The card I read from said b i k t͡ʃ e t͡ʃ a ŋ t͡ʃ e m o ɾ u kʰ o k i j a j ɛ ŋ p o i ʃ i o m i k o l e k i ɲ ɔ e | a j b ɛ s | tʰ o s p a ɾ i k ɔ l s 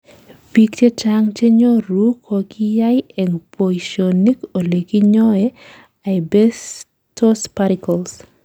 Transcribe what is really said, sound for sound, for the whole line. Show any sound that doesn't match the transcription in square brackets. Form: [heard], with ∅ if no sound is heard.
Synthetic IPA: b i k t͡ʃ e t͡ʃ a ŋ t͡ʃ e [ɲ] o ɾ u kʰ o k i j a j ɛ ŋ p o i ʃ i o [n] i k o l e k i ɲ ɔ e | a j b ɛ s | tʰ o s p a ɾ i k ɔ l s